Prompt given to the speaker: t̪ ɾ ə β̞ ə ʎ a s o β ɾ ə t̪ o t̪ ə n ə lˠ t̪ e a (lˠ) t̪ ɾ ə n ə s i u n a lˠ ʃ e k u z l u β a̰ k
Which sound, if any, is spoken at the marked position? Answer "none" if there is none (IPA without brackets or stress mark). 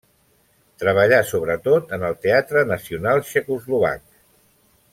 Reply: none